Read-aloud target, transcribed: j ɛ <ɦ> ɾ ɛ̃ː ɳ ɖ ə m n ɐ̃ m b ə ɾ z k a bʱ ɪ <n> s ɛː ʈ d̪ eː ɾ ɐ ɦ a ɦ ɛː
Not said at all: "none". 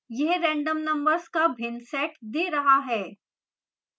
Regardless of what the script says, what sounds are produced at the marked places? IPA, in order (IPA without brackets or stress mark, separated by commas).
ɦ, n